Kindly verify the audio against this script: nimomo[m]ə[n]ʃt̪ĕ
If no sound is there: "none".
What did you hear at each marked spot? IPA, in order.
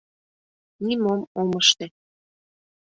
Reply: m, none

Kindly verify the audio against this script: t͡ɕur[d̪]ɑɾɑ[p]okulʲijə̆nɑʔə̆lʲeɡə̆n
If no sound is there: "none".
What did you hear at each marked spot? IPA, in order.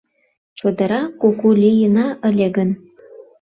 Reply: d̪, k

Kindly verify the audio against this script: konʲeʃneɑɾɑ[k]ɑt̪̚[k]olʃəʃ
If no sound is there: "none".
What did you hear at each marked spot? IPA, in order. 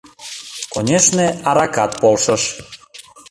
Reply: k, p

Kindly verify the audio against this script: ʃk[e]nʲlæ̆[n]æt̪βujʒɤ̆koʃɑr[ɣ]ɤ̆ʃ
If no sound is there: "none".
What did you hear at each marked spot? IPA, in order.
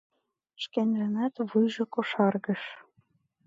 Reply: e, n, ɣ

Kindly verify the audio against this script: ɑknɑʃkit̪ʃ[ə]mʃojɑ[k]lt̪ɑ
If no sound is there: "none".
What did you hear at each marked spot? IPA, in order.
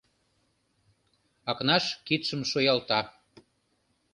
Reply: ə, none

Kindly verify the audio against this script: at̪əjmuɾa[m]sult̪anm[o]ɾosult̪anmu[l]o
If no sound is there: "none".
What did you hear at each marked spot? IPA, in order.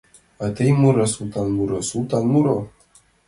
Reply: none, u, ɾ

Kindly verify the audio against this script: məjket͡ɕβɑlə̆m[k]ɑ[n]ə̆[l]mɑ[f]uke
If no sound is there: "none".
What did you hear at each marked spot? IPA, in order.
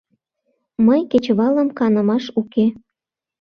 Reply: k, n, none, ʃ

